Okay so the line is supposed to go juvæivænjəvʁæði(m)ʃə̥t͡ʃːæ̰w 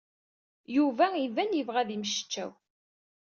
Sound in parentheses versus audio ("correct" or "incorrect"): correct